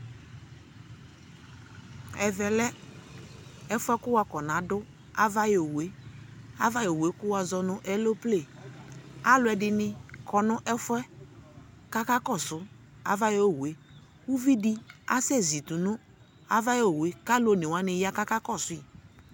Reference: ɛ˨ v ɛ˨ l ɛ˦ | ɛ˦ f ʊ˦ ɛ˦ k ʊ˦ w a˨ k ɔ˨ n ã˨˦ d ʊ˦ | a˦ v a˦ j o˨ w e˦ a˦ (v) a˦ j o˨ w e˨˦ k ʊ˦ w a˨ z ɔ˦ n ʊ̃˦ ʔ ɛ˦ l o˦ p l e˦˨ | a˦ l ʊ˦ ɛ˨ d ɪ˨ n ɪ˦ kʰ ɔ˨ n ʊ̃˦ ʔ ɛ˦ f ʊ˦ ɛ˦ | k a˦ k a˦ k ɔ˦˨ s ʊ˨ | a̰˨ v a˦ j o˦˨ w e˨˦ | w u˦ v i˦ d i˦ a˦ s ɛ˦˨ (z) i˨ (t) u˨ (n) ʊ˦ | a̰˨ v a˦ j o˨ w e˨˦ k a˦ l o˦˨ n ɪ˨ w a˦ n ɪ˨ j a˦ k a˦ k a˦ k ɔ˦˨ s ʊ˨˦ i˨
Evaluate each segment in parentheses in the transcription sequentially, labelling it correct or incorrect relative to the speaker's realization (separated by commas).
correct, correct, correct, correct